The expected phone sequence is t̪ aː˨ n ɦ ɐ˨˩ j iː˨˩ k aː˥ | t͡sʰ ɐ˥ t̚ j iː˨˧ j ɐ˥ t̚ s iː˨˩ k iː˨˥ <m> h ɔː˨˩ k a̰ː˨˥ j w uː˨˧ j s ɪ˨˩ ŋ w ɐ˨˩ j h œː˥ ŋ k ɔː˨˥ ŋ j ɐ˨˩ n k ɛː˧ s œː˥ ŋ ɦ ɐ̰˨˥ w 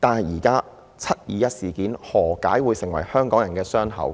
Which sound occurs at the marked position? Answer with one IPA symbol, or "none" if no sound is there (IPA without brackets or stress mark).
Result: n